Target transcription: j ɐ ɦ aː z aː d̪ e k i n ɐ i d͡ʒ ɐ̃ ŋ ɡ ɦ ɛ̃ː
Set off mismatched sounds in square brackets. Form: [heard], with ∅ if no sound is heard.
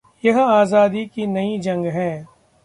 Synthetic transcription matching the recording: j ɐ ɦ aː z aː d̪ [i] k i n ɐ i d͡ʒ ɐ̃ ŋ ɡ ɦ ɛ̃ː

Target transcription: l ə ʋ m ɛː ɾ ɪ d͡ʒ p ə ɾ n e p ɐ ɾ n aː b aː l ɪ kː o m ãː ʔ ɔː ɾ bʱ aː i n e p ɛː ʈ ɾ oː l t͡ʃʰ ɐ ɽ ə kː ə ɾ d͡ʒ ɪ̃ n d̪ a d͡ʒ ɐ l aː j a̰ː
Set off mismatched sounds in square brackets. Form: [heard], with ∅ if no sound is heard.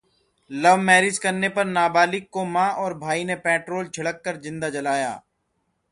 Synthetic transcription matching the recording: l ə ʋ m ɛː ɾ ɪ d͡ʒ [k] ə ɾ n e p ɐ ɾ n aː b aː l ɪ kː o m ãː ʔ ɔː ɾ bʱ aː i n e p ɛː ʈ ɾ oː l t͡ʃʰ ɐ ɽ ə kː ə ɾ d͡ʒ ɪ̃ n d̪ a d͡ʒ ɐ l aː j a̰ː

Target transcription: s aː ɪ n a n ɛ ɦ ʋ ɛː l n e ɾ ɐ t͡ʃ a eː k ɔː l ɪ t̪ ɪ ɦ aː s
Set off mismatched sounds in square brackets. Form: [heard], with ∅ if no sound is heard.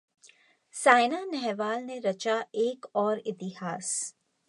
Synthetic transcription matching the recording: s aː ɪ n a n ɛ ɦ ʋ [aː] l n e ɾ ɐ t͡ʃ a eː k ɔː [ɾ] ɪ t̪ ɪ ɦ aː s

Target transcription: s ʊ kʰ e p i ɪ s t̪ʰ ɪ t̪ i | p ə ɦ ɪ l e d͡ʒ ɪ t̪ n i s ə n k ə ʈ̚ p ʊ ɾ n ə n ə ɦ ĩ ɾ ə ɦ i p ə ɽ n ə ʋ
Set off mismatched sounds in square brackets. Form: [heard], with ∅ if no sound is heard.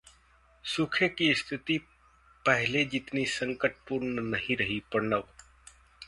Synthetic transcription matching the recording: s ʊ kʰ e [k] i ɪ s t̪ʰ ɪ t̪ i | p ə ɦ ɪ l e d͡ʒ ɪ t̪ n i s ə [ŋ] k ə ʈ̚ p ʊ ɾ n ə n ə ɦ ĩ ɾ ə ɦ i p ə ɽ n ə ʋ

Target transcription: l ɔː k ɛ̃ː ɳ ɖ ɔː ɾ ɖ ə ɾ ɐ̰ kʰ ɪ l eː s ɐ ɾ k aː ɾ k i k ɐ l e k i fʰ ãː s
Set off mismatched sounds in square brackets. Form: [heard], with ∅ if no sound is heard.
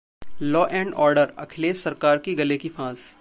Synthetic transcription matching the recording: l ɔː [ʔ] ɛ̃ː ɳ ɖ ɔː ɾ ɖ ə ɾ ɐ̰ kʰ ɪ l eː s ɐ ɾ k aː ɾ k i [ɡ] ɐ l e k i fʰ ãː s

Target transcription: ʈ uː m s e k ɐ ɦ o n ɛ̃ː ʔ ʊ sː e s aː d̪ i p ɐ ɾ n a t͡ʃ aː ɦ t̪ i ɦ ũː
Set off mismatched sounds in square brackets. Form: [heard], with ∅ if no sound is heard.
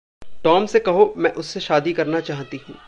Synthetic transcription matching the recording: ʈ [ɔː] m s e k ɐ ɦ o [m] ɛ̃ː ʔ ʊ sː e [ʃ] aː d̪ i [k] ɐ ɾ n a t͡ʃ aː ɦ t̪ i ɦ ũː

